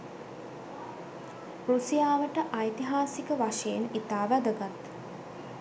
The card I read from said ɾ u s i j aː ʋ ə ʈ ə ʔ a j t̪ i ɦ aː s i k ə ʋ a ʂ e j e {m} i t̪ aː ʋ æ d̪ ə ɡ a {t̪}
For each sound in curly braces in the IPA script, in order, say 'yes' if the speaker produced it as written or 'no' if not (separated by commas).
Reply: no, yes